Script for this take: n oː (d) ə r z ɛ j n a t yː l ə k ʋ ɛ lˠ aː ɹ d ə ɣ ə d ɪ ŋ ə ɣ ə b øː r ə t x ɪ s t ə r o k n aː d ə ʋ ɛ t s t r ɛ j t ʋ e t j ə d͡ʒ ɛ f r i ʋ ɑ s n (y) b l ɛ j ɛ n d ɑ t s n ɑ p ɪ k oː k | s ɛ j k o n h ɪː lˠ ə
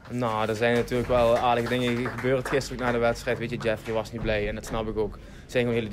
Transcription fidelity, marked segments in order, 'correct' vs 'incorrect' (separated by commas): correct, incorrect